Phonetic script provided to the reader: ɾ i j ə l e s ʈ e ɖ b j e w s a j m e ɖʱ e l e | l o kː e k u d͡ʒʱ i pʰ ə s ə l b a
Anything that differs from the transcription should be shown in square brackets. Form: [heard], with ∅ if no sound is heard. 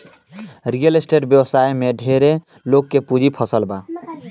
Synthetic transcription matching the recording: ɾ i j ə l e s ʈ e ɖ b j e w s a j m e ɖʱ e [ɾ] e | l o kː e [p] u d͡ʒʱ i pʰ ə s ə l b a